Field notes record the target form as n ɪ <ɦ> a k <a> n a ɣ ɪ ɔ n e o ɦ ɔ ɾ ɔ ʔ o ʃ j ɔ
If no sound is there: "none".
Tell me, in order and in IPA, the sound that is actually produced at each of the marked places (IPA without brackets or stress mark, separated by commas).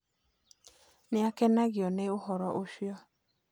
none, ɛ